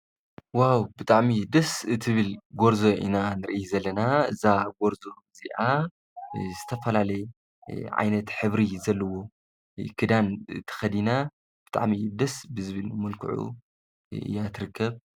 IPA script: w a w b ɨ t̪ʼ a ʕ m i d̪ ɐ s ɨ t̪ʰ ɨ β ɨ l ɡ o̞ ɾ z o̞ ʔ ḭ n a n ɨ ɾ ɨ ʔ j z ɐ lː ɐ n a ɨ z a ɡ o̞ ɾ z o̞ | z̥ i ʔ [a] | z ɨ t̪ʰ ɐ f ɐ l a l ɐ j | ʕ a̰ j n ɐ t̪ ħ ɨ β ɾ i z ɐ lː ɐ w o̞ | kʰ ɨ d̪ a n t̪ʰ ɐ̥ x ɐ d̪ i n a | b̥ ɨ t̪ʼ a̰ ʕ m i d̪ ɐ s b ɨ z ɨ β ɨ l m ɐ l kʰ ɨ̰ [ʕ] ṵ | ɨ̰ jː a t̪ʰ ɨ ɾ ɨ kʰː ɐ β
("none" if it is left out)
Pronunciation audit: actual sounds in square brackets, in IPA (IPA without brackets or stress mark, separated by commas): a, ʕ